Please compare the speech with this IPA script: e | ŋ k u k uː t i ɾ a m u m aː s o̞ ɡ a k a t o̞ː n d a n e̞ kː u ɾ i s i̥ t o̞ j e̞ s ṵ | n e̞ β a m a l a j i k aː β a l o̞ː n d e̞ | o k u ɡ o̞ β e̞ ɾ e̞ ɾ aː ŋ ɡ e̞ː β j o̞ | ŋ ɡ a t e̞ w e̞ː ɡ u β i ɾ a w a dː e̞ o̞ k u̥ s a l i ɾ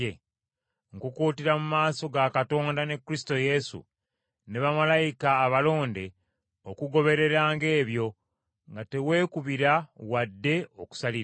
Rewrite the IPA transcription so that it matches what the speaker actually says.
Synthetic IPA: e | ŋ k u k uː t i ɾ a m u m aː s o̞ ɡ a k a t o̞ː n d a n e̞ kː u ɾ i s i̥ t o̞ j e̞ s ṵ | n e̞ β a m a l a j i k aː β a l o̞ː n d e̞ | o k u ɡ o̞ β e̞ ɾ e̞ ɾ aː ŋ ɡ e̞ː β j o̞ | ŋ ɡ a t e̞ w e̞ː k u β i ɾ a w a dː e̞ o̞ k u̥ s a l i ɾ